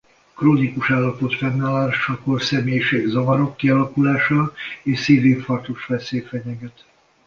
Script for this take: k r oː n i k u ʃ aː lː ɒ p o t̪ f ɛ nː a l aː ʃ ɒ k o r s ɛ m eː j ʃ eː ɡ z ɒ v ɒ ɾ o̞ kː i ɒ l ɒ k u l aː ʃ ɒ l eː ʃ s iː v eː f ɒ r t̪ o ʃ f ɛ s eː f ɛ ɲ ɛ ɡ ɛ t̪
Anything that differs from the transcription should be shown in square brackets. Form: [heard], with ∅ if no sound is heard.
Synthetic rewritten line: k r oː n i k u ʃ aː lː ɒ p o t̪ f ɛ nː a l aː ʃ ɒ k o r s ɛ m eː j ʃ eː ɡ z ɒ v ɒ ɾ o̞ kː i ɒ l ɒ k u l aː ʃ ɒ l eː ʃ s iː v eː f ɒ r t̪ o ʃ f ɛ s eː f ɛ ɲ ɛ ɡ ɛ t̪